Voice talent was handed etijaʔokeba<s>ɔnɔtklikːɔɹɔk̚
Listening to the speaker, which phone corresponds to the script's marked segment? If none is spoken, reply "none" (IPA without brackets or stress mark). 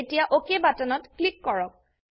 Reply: t